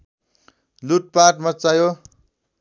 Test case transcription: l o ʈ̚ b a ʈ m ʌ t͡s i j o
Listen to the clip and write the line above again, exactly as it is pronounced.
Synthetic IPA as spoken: l u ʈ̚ p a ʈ m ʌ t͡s a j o